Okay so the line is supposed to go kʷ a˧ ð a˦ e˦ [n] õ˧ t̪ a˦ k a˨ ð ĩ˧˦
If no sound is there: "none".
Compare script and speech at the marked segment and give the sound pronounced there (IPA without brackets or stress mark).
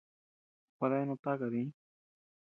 n